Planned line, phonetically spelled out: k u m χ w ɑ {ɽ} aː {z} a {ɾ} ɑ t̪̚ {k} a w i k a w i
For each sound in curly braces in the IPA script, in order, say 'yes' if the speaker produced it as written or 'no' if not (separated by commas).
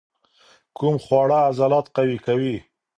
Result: yes, yes, no, no